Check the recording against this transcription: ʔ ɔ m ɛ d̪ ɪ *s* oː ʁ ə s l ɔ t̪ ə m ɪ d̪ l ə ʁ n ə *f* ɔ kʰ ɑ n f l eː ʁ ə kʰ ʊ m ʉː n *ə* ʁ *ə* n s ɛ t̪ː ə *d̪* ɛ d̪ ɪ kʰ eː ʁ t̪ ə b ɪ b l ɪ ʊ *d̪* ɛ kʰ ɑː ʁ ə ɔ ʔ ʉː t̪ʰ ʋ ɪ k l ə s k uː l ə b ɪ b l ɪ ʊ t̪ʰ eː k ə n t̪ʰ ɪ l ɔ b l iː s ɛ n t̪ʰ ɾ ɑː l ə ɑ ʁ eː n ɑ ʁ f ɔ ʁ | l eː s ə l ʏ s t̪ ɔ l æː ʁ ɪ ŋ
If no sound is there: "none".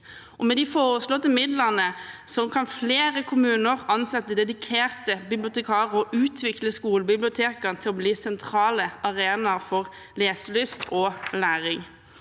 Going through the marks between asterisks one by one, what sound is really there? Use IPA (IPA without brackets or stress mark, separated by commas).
f, s, ə, ɑ, d̪, t̪